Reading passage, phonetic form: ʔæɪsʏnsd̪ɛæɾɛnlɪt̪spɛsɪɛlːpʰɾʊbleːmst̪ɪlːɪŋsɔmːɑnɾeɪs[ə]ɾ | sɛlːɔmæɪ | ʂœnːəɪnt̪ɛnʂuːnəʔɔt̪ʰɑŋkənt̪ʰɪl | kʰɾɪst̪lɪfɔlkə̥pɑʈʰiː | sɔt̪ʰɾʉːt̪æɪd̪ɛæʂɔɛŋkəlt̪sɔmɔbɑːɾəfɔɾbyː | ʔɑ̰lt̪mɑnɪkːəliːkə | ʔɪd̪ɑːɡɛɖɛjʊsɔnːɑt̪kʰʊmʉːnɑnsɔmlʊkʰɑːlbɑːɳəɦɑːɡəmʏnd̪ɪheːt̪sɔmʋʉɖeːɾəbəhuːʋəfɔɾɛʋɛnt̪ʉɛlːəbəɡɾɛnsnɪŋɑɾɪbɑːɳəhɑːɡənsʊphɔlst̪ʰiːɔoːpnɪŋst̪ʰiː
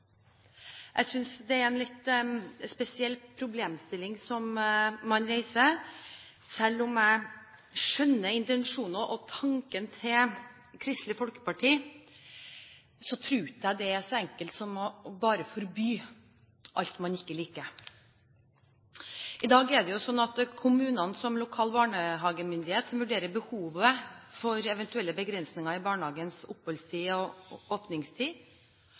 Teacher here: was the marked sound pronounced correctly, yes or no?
yes